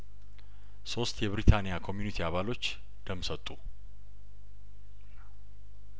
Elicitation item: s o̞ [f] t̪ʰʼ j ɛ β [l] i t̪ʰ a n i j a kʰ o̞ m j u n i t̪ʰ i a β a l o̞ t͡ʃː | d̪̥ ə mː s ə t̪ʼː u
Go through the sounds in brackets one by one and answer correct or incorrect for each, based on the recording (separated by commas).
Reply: incorrect, incorrect